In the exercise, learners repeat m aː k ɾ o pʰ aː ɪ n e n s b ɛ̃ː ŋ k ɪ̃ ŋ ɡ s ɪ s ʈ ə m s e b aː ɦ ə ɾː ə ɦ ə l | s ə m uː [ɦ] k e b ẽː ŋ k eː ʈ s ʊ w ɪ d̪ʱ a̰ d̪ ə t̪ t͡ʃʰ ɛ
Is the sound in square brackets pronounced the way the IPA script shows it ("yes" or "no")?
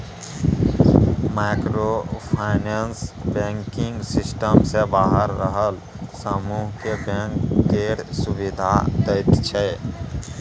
yes